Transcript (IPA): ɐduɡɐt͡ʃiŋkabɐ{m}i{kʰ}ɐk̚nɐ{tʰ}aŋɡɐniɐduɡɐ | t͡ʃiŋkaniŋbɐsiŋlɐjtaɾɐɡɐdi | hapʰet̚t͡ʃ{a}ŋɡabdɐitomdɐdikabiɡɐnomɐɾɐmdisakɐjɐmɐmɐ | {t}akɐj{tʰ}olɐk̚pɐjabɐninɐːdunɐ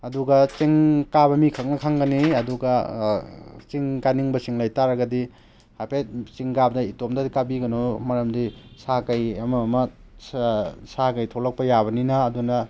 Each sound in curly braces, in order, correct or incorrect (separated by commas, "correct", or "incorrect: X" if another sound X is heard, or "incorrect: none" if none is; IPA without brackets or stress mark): correct, correct, incorrect: kʰ, incorrect: i, incorrect: s, correct